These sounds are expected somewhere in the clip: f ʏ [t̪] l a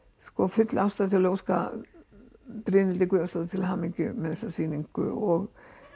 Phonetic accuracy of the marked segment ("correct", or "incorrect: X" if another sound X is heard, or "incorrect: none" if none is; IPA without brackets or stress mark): correct